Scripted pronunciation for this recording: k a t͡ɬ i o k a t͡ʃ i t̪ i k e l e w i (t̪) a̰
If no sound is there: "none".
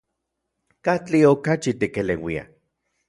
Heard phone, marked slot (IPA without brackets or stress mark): none